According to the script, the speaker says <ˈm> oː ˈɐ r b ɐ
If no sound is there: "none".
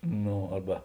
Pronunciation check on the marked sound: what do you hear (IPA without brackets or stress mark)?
n